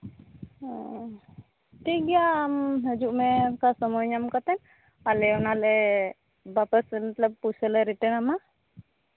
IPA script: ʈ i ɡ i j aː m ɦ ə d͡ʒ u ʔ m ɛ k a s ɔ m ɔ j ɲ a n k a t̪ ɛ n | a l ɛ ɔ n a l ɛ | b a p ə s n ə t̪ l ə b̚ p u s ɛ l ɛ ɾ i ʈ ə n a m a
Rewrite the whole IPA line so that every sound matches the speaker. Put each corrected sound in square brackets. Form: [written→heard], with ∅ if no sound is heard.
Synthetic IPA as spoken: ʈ i ɡ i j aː m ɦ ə d͡ʒ u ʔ m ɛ k a s ɔ m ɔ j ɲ a [n→m] k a t̪ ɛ n | a l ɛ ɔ n a l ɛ | b a p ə s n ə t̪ l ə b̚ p u s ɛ l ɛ ɾ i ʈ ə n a m a

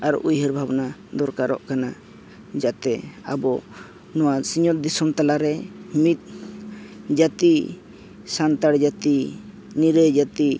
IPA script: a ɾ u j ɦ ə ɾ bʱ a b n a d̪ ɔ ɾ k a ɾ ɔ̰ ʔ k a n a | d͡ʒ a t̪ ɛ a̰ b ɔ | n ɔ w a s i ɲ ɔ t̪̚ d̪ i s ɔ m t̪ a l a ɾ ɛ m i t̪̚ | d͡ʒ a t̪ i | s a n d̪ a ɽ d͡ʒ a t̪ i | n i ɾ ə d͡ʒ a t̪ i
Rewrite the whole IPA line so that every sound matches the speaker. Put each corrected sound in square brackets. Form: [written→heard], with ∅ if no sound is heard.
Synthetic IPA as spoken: a ɾ u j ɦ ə ɾ bʱ a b n a d̪ ɔ ɾ k a ɾ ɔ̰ ʔ k a n a | d͡ʒ a t̪ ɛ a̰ b ɔ | n ɔ w a s i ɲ ɔ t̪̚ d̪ i s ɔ m t̪ a l a ɾ ɛ m i t̪̚ | d͡ʒ a t̪ i | s a n [d̪→t̪] a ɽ d͡ʒ a t̪ i | n i ɾ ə d͡ʒ a t̪ i

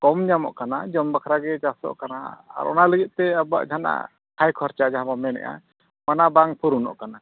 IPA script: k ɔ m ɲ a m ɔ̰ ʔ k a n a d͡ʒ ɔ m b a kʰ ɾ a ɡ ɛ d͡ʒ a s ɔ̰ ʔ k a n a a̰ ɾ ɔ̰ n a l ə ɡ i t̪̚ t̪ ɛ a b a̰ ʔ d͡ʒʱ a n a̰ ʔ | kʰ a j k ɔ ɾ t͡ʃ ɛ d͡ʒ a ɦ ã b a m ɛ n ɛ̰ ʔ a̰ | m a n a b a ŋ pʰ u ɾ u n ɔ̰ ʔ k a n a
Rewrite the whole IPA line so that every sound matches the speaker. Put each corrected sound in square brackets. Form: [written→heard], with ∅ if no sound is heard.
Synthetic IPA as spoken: k ɔ m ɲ a m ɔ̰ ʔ k a n a d͡ʒ ɔ m b a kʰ ɾ a ɡ ɛ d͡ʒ a s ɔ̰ ʔ k a n a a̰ ɾ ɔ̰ n a l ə ɡ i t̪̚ t̪ ɛ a b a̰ ʔ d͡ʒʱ a n a̰ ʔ | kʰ a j [k→kʰ] ɔ ɾ t͡ʃ [ɛ→a] d͡ʒ a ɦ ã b a m ɛ n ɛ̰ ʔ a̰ | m a n a b a ŋ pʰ u ɾ u n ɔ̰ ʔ k a n a

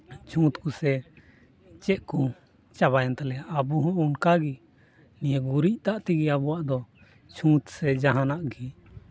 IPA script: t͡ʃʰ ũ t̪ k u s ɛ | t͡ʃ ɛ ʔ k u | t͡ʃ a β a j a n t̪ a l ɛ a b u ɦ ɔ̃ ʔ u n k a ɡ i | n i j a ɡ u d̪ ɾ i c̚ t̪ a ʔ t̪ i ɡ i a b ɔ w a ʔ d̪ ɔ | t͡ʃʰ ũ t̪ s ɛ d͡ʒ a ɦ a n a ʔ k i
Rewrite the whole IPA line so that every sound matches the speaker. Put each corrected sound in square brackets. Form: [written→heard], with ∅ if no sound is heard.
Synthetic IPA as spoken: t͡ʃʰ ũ t̪ k u s ɛ | t͡ʃ ɛ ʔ k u | t͡ʃ a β a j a n t̪ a l ɛ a b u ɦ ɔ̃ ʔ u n k a ɡ i | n i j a ɡ u [d̪→∅] ɾ i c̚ t̪ a ʔ t̪ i ɡ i a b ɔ w a ʔ d̪ ɔ | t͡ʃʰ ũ t̪ s ɛ d͡ʒ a ɦ a n a ʔ [k→ɡ] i

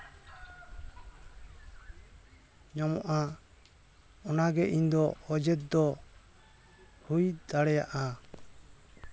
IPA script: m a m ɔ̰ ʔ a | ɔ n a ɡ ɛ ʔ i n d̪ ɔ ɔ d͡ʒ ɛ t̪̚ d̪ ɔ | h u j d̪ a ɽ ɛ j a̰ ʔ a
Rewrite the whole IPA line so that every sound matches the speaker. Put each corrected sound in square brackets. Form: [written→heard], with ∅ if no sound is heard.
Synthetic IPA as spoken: [m→ɲ] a m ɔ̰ ʔ a | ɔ n a ɡ ɛ ʔ i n d̪ ɔ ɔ d͡ʒ ɛ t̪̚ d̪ ɔ | h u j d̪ a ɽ ɛ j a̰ ʔ a

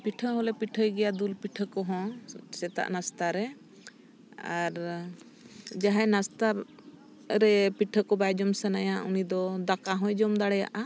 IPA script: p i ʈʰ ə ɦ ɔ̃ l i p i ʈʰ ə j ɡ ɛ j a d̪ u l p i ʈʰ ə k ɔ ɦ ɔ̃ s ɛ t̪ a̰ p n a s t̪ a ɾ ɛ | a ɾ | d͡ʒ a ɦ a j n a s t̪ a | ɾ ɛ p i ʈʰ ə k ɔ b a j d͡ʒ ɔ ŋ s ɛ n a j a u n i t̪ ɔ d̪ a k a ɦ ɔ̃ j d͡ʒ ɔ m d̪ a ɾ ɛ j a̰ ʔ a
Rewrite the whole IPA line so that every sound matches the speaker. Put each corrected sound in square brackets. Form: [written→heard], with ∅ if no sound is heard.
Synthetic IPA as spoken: p i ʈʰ ə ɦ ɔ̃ l [i→ɛ] p i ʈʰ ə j ɡ ɛ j a d̪ u l p i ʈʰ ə k ɔ ɦ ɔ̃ s ɛ t̪ a̰ [p→ʔ] n a s t̪ a ɾ ɛ | a ɾ | d͡ʒ a ɦ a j n a s t̪ a | ɾ ɛ p i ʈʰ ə k ɔ b a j d͡ʒ ɔ [ŋ→m] s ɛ n a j a u n i [t̪→d̪] ɔ d̪ a k a ɦ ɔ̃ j d͡ʒ ɔ m d̪ a [ɾ→ɽ] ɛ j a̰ ʔ a

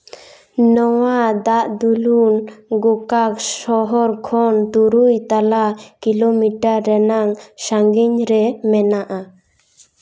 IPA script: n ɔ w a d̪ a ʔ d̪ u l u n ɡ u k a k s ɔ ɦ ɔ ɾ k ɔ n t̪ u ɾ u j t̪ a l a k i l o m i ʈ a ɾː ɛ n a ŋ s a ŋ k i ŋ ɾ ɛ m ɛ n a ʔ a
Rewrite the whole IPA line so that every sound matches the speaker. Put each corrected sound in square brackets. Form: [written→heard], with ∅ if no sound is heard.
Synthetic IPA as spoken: n ɔ w a d̪ a ʔ d̪ u l u n ɡ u k a k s ɔ ɦ ɔ ɾ [k→kʰ] ɔ n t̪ u ɾ u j t̪ a l a k i l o m i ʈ a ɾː ɛ n a ŋ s a ŋ [k→ɡ] i [ŋ→ɲ] ɾ ɛ m ɛ n a ʔ a

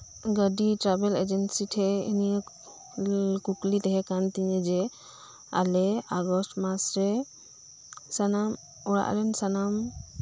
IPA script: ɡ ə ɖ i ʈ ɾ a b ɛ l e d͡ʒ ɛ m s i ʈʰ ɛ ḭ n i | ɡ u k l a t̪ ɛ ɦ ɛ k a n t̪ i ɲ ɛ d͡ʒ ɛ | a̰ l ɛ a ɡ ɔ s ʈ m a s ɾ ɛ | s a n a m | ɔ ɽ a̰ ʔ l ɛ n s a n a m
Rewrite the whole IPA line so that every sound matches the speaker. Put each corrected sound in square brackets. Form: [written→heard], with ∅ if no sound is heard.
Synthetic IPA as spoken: ɡ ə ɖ i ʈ ɾ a b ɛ l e d͡ʒ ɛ [m→n] s i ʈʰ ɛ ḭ n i | [ɡ→k] u k l [a→i] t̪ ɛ ɦ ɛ k a n t̪ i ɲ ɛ d͡ʒ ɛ | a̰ l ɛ a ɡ ɔ s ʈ m a s ɾ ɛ | s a n a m | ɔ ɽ a̰ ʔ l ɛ n s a n a m

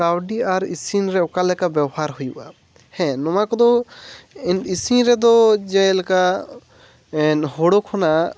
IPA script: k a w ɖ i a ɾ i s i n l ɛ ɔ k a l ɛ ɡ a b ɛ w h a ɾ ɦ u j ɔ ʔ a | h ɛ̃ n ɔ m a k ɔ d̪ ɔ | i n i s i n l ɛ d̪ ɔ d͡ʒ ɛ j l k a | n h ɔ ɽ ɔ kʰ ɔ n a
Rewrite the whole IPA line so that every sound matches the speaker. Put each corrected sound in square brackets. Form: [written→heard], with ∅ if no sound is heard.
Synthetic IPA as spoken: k a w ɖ i a ɾ i s i n [l→ɾ] ɛ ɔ k a l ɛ [ɡ→k] a b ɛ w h a ɾ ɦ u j [ɔ→u] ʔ a | h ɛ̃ n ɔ m a k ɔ d̪ ɔ | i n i s i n [l→ɾ] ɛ d̪ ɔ d͡ʒ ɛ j l k a | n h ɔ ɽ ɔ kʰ ɔ n a

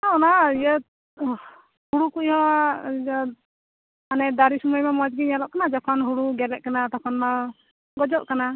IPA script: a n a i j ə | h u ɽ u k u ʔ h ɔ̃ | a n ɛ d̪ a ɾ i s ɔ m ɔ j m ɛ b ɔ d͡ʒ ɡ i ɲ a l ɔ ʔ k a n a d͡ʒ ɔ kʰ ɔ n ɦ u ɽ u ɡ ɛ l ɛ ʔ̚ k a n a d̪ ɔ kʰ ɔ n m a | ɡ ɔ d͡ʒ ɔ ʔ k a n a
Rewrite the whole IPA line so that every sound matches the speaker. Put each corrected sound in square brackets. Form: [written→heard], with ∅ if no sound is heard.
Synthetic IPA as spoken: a n a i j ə | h u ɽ u k u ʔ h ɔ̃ | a n ɛ d̪ a ɾ i s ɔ m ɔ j m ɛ [b→m] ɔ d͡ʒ ɡ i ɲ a l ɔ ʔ k a n a d͡ʒ ɔ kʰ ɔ n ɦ u ɽ u ɡ ɛ l ɛ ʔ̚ k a n a [d̪→t̪] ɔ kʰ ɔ n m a | ɡ ɔ d͡ʒ ɔ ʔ k a n a

